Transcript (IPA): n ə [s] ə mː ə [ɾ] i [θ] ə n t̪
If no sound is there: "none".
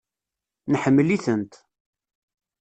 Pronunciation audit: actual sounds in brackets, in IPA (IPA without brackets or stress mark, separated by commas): ħ, l, θ